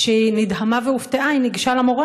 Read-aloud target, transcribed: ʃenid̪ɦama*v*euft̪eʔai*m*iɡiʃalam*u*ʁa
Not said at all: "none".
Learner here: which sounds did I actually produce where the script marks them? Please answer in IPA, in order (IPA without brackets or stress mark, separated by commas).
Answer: v, n, o